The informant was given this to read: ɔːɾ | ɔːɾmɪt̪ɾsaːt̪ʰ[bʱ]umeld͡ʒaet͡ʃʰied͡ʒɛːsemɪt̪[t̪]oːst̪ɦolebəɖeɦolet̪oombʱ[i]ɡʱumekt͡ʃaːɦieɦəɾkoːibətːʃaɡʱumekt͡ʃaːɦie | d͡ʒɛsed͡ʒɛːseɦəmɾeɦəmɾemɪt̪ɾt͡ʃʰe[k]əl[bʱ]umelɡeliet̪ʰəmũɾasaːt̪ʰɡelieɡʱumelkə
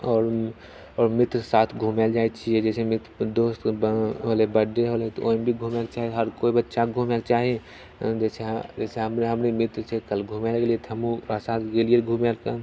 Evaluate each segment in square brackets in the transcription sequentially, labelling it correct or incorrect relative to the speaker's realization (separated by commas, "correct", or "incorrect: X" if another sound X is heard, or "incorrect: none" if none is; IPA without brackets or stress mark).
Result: incorrect: ɡʱ, incorrect: d̪, correct, correct, incorrect: ɡʱ